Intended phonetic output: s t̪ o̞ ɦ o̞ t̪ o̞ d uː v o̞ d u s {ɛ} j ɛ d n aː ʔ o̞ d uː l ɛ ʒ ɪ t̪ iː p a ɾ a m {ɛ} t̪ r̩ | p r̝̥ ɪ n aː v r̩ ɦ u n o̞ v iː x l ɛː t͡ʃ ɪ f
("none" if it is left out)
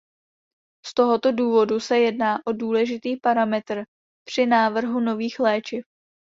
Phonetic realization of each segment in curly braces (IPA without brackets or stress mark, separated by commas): ɛ, ɛ